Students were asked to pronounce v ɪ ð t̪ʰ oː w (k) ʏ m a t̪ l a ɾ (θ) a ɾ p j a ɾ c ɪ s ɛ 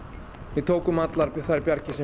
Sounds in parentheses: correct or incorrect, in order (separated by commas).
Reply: correct, correct